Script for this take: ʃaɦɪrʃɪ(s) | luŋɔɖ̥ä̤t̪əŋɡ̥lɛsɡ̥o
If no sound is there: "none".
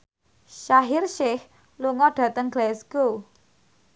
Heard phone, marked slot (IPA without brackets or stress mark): h